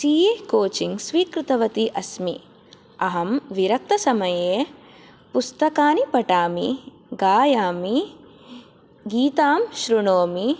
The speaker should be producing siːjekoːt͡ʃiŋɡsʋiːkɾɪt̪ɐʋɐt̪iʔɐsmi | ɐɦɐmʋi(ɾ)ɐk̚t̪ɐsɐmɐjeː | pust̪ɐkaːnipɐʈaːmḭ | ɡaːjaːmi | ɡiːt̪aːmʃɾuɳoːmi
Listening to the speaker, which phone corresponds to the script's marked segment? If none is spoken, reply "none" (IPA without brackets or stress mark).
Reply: ɾ